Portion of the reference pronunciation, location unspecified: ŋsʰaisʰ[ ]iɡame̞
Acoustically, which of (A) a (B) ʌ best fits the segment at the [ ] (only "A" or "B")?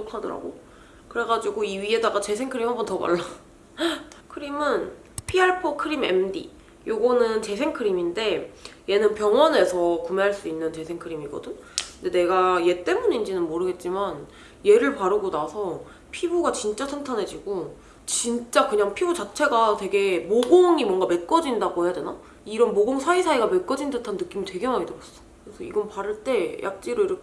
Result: A